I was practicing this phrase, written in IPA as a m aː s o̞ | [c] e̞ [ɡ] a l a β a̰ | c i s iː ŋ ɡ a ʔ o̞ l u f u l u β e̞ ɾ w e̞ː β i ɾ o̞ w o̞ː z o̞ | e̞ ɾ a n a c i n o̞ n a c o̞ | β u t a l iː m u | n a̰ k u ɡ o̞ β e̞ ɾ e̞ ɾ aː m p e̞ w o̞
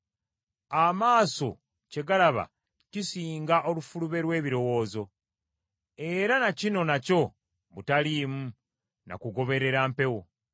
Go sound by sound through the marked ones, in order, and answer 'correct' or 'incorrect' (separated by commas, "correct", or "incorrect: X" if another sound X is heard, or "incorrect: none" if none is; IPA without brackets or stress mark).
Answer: correct, correct